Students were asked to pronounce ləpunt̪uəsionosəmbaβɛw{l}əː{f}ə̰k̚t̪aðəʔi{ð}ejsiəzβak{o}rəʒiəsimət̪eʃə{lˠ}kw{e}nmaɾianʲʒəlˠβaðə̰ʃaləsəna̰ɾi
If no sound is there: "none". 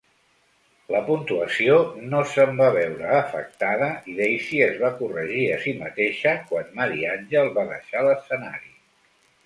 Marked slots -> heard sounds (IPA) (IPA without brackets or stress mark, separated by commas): ɾ, f, ð, u, none, a